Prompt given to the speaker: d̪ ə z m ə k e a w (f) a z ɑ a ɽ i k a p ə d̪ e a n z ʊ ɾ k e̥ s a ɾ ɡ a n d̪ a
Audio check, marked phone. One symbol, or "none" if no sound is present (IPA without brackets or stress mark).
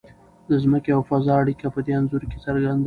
f